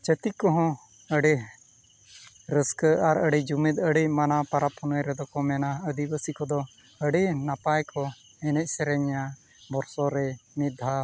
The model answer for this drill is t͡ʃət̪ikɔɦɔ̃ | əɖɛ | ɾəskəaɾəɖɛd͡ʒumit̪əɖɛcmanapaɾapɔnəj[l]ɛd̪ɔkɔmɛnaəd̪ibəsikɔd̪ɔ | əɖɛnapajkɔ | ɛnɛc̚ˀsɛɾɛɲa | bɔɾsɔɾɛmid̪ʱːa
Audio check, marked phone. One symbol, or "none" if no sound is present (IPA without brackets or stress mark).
ɾ